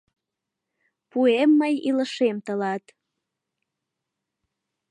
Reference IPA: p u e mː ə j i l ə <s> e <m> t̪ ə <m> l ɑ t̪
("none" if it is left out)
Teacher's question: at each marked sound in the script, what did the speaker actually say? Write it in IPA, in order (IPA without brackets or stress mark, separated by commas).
ʃ, m, none